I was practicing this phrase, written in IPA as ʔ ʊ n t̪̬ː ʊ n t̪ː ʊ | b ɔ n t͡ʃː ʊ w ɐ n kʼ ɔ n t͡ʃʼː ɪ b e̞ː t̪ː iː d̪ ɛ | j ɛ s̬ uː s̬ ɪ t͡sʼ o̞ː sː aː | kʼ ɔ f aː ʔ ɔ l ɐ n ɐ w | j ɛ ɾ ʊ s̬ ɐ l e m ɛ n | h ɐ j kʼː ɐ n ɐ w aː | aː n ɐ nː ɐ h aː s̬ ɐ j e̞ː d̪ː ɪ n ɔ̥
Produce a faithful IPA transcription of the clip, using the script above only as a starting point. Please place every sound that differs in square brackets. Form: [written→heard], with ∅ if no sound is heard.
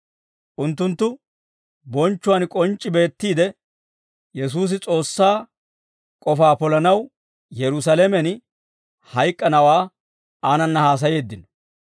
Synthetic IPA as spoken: ʔ ʊ n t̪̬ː ʊ n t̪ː ʊ | b ɔ n t͡ʃː ʊ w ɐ n kʼ ɔ n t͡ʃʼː ɪ b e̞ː t̪ː iː d̪ ɛ | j ɛ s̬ uː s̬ ɪ t͡sʼ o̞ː sː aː | kʼ ɔ f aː [ʔ→p] ɔ l ɐ n ɐ w | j ɛ ɾ ʊ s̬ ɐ l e m ɛ n | h ɐ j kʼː ɐ n ɐ w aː | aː n ɐ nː ɐ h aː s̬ ɐ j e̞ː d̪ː ɪ n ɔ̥